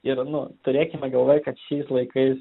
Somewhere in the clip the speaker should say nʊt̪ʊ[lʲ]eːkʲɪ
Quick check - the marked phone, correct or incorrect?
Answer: incorrect